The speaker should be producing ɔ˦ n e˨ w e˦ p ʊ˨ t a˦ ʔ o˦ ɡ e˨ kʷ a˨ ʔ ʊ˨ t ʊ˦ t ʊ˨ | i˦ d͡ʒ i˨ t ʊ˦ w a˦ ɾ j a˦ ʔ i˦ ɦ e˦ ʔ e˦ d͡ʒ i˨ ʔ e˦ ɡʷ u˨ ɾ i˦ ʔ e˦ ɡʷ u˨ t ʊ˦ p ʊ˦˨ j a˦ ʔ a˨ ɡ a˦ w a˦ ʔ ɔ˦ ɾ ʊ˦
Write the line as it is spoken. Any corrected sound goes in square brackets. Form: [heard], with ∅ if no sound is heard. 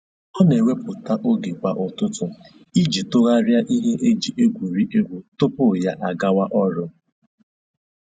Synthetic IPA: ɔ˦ n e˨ w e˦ p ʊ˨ t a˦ ʔ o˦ ɡ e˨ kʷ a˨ ʔ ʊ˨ t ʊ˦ t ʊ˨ | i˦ d͡ʒ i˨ t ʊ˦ [ɣ] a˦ ɾ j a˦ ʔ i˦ ɦ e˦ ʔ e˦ d͡ʒ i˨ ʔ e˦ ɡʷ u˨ ɾ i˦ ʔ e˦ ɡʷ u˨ t ʊ˦ p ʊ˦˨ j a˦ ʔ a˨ ɡ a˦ w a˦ ʔ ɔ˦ ɾ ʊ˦